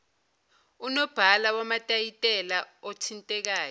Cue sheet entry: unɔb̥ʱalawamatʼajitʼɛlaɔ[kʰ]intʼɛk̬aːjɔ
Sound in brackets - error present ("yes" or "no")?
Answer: yes